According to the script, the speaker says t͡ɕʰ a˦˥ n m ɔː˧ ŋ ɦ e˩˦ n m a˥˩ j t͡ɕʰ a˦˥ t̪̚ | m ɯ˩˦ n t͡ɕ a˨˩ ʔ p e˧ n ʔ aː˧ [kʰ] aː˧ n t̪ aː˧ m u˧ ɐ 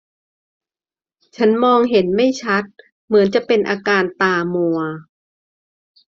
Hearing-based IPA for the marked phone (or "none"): k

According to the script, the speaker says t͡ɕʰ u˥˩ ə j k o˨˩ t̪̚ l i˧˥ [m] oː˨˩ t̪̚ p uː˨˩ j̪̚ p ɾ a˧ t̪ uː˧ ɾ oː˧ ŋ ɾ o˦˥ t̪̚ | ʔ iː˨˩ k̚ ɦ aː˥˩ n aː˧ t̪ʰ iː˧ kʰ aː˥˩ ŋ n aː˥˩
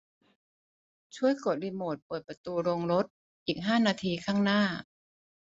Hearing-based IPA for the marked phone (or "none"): m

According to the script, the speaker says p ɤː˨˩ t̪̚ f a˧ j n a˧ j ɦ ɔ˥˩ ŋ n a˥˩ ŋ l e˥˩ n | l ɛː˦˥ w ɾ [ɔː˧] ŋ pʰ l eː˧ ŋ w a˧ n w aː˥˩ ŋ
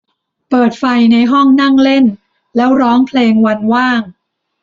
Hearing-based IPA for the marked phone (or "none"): ɔː˦˥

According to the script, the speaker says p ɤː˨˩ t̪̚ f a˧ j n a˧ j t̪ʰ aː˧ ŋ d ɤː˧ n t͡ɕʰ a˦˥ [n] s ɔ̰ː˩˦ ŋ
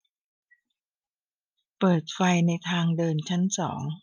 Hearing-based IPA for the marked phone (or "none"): n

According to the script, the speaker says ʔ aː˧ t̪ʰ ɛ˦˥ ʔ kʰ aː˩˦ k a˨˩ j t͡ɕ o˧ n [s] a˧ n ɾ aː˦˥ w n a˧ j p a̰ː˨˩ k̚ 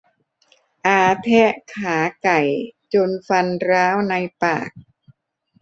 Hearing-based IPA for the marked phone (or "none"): f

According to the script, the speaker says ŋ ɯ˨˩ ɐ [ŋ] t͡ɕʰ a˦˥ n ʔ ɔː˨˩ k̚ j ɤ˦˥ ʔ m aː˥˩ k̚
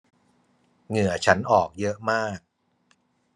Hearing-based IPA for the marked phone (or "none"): none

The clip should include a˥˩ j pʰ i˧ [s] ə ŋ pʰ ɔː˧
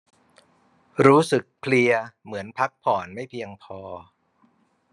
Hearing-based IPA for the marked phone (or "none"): none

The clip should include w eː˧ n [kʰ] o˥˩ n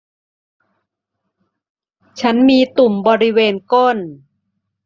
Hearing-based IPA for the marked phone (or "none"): k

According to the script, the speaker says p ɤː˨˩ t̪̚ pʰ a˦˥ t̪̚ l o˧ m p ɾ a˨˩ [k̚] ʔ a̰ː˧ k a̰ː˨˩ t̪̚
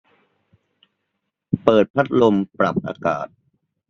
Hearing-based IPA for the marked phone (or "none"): p̚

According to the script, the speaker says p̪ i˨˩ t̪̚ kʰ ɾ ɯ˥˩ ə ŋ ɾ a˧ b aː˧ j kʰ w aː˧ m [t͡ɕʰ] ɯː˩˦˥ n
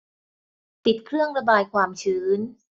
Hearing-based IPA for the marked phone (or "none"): t͡ɕʰ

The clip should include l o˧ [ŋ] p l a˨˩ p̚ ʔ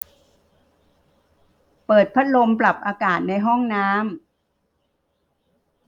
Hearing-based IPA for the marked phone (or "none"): m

